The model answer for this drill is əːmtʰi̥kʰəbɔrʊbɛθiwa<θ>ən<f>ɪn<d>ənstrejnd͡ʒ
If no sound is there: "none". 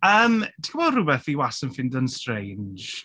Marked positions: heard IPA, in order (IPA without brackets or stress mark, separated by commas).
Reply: s, f, d